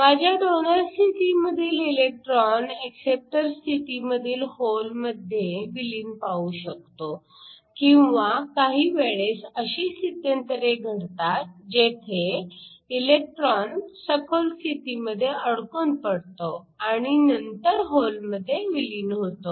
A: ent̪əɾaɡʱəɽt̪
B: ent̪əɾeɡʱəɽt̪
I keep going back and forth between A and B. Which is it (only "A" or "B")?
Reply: B